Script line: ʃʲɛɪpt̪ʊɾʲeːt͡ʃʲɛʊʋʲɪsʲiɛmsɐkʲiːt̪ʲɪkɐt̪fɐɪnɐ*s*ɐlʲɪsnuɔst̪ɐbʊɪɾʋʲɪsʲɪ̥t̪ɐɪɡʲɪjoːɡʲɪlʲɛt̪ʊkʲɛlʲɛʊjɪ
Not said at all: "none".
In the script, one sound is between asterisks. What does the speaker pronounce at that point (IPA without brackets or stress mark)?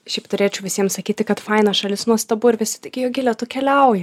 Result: ʃ